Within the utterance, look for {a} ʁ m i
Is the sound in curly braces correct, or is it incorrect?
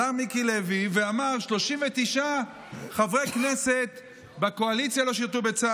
correct